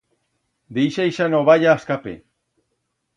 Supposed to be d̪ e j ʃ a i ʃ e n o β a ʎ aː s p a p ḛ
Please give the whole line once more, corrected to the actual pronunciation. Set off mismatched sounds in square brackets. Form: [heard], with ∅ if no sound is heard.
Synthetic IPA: d̪ e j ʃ a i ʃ [a] n o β a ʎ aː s [k] a p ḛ